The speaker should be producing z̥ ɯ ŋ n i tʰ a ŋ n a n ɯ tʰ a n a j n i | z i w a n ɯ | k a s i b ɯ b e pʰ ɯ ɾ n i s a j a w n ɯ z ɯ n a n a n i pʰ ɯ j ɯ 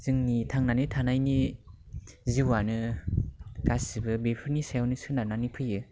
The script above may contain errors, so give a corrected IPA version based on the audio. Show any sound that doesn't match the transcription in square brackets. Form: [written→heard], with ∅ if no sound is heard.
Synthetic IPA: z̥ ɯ ŋ n i tʰ a ŋ n a n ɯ tʰ a n a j n i | z i w a n ɯ | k a s i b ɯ b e pʰ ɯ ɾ n i s a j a w n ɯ [z→s] ɯ n a n a n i pʰ ɯ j ɯ